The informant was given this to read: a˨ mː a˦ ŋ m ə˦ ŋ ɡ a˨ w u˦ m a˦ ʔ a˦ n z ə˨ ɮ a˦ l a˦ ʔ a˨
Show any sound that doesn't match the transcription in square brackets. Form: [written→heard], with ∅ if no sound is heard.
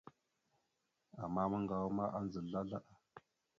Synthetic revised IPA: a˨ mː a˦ [ŋ→∅] m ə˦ ŋ ɡ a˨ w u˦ m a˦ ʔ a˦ n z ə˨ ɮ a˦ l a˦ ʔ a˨